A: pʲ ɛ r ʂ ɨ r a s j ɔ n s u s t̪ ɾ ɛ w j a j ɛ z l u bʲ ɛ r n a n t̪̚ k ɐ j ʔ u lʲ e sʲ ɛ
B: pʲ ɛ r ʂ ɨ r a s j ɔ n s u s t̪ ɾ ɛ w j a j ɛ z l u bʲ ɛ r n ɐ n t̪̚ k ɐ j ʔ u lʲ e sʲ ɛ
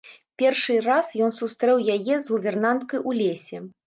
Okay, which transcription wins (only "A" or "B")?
A